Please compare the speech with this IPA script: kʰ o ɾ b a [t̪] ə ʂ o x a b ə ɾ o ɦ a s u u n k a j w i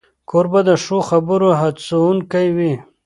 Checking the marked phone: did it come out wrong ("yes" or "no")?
yes